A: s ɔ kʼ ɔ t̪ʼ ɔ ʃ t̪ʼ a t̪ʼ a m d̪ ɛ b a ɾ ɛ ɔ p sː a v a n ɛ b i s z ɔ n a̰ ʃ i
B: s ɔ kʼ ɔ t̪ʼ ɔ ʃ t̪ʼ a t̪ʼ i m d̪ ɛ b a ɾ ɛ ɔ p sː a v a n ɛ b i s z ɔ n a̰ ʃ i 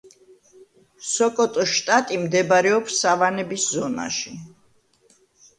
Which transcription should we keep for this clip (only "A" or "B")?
B